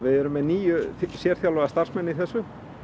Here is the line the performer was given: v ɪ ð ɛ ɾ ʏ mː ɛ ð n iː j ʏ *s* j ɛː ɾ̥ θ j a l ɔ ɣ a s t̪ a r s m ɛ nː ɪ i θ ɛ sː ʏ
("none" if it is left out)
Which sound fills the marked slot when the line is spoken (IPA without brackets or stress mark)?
s